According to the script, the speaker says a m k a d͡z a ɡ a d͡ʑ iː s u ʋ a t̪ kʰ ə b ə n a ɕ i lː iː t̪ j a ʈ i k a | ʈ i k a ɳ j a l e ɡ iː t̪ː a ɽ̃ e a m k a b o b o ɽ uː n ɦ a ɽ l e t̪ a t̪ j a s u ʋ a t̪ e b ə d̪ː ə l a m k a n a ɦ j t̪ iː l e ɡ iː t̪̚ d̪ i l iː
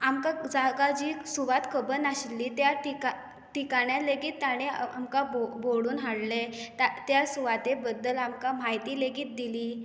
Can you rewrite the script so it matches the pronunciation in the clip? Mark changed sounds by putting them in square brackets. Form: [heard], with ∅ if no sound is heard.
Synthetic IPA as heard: a m k a d͡z a ɡ a d͡ʑ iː s u ʋ a t̪ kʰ ə b ə n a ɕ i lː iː t̪ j a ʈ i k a | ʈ i k a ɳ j a l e ɡ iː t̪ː a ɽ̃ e a m k a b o b o ɽ uː n ɦ a ɽ l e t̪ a t̪ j a s u ʋ a t̪ e b ə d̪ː ə l a m k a [m] a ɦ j t̪ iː l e ɡ iː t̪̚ d̪ i l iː